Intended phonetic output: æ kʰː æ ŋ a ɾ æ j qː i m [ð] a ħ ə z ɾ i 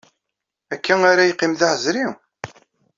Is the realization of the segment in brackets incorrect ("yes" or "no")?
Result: no